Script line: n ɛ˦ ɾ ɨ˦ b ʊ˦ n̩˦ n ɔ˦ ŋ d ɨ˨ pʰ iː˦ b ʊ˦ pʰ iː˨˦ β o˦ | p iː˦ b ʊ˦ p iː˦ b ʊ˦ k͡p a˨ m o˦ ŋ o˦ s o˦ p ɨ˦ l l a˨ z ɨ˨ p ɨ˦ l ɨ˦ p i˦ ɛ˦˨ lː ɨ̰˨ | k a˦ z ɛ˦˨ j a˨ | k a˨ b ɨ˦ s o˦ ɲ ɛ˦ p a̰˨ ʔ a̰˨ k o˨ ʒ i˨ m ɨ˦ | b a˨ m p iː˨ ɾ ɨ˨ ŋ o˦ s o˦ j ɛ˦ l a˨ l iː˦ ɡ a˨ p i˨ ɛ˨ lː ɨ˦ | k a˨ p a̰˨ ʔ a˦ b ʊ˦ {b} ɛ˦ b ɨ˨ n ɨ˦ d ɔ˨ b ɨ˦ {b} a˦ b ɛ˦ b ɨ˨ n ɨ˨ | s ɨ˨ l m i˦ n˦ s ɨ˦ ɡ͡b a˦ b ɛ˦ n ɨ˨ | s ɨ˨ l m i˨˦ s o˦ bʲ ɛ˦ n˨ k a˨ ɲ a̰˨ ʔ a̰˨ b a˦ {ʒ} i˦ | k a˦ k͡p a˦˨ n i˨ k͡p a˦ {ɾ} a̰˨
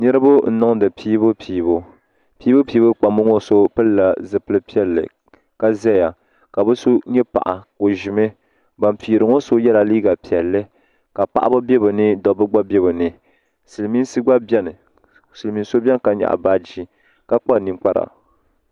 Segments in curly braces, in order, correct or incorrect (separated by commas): correct, incorrect, incorrect, correct